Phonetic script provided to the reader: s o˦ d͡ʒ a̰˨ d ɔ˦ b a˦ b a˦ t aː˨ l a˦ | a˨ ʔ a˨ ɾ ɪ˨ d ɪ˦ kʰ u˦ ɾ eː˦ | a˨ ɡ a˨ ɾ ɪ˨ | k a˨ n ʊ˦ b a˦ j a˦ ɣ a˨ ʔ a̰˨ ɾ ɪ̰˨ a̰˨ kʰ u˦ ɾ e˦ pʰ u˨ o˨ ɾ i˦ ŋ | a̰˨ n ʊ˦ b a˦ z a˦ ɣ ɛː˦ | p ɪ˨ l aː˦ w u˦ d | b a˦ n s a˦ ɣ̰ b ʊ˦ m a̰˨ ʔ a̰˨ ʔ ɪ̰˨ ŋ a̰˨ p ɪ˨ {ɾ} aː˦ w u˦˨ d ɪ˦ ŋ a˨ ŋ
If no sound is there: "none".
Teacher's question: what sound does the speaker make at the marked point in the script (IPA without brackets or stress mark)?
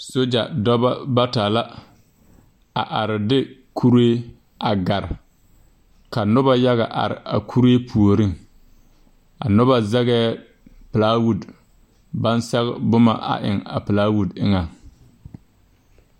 l